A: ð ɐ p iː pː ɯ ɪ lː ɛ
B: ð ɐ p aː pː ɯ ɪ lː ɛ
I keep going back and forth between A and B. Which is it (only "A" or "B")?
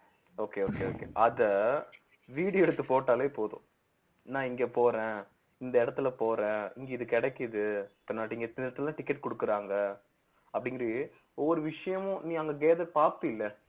B